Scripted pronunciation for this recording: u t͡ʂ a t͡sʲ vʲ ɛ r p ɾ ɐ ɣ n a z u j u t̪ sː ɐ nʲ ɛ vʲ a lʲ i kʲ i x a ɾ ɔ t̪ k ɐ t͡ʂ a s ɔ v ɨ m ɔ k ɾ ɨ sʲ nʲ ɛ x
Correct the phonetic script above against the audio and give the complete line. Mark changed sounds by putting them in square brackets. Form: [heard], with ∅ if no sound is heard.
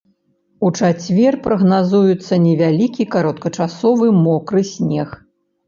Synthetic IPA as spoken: u t͡ʂ a t͡sʲ vʲ ɛ r p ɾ ɐ ɣ n a z u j u t̪ sː ɐ nʲ ɛ vʲ a lʲ i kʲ i [k] a ɾ ɔ t̪ k ɐ t͡ʂ a s ɔ v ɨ m ɔ k ɾ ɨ sʲ nʲ ɛ x